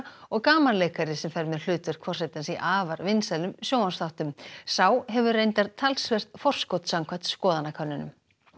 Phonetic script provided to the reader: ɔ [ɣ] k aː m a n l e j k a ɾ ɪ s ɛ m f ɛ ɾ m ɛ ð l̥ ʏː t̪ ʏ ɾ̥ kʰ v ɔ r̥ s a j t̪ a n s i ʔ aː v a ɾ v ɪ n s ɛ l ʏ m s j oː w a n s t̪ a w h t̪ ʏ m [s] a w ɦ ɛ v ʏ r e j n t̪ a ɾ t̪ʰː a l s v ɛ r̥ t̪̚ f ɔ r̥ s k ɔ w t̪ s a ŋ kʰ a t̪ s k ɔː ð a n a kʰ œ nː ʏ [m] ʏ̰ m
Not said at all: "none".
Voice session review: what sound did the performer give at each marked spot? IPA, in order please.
ɣ, s, n

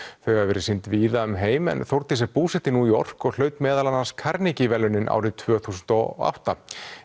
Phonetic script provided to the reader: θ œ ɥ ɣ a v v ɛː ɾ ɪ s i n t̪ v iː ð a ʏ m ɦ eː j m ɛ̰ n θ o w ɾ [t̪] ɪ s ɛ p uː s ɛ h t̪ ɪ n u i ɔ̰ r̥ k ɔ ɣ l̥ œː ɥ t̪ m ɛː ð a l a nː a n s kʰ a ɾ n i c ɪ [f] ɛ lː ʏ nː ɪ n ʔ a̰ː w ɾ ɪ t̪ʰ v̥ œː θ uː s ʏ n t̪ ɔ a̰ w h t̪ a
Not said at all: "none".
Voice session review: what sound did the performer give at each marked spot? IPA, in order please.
t̪, v

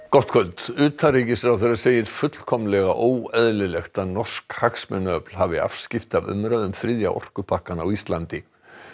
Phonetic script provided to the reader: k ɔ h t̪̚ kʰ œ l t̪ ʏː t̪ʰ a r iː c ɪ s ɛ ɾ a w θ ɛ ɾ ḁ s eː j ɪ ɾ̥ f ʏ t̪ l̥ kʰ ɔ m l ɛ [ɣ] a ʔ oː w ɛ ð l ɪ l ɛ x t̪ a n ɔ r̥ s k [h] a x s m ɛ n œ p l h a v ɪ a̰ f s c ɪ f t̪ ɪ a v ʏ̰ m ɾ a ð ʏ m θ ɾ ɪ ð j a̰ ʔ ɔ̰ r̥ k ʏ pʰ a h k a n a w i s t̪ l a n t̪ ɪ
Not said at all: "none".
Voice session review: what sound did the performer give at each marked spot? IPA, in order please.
ɣ, h

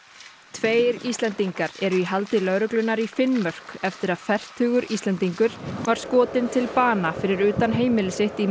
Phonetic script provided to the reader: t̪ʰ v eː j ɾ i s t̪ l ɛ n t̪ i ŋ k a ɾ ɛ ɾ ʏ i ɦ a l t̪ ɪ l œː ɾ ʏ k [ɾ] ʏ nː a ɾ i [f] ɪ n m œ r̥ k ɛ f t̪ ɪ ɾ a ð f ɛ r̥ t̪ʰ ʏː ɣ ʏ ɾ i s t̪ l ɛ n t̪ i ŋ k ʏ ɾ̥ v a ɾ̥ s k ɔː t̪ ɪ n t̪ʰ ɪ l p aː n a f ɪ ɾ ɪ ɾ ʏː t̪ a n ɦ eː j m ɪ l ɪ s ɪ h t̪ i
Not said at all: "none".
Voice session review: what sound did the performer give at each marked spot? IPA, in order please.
l, f

